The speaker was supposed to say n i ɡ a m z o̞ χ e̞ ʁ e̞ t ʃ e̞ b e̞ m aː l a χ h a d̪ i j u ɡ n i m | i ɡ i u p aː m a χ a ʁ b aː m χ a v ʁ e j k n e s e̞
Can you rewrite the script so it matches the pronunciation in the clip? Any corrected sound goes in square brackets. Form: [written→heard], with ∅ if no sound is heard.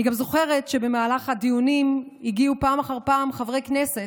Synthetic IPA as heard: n i ɡ a m z o̞ χ e̞ ʁ e̞ t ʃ e̞ b e̞ m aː l a χ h a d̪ i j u [ɡ→∅] n i m | i ɡ i u p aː m a χ a ʁ [b→p] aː m χ a v ʁ e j k n e s e̞

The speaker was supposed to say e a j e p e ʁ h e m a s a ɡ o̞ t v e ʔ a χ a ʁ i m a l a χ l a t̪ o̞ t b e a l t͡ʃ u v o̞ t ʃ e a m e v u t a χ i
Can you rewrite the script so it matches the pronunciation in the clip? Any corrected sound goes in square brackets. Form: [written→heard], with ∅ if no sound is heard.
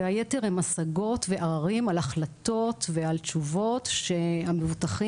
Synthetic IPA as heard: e a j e [p→t] e ʁ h e m a s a ɡ o̞ t v e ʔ a [χ→ʁ] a ʁ i m a l a χ l a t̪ o̞ t [b→v] e a l t͡ʃ u v o̞ t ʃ e a m e v u t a χ i

